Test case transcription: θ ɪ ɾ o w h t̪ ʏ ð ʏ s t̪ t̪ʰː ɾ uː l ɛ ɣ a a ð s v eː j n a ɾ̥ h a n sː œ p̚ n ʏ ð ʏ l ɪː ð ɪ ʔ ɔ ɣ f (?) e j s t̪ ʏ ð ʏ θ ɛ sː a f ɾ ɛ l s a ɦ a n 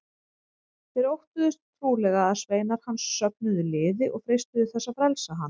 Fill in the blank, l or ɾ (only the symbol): ɾ